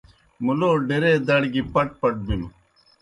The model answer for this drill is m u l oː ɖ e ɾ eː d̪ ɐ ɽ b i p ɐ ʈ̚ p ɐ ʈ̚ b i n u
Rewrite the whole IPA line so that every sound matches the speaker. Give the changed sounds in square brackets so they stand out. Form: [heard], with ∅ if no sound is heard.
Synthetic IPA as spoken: m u l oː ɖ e ɾ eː d̪ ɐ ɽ [ɡ] i p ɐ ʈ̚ p ɐ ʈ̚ b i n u